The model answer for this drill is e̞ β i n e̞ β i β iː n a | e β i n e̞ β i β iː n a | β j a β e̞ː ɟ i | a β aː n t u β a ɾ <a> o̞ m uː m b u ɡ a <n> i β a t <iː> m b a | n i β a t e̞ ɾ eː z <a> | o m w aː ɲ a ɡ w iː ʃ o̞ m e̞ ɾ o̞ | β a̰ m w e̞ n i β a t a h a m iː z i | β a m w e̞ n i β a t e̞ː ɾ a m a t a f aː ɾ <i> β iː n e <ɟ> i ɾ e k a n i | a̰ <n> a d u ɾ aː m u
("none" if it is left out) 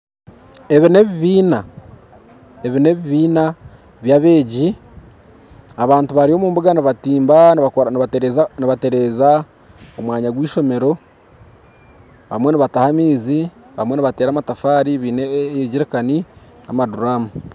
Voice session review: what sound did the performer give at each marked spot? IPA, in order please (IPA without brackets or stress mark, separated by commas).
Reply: i, n, iː, a, i, ɟ, m